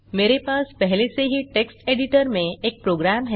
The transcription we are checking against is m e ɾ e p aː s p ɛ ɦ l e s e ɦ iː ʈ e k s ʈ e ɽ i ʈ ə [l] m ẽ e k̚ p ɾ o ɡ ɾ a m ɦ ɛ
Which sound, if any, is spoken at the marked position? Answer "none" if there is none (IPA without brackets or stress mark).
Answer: ɾ